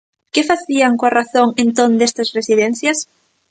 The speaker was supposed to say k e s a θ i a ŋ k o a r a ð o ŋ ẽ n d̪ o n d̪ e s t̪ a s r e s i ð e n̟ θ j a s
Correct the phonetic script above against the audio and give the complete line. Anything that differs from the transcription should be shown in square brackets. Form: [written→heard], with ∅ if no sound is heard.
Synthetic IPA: k e [s→f] a θ i a ŋ k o a r a [ð→θ] o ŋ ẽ n [d̪→t̪] o n d̪ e s t̪ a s r e s i ð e n̟ θ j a s